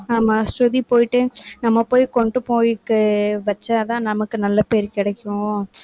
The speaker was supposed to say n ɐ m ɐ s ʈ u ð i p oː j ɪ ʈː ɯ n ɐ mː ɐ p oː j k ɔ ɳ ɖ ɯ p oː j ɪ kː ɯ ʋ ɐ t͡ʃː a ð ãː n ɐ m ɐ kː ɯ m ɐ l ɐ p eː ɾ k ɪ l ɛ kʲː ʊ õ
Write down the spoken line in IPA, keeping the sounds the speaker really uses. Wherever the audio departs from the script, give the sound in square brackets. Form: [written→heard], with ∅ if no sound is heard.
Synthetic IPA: n ɐ m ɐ s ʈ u ð i p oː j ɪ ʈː ɯ n ɐ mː ɐ p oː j k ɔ ɳ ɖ ɯ p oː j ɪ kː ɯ ʋ ɐ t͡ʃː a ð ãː n ɐ m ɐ kː ɯ [m→n] ɐ [l→lː] ɐ p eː ɾ k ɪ [l→ɽ] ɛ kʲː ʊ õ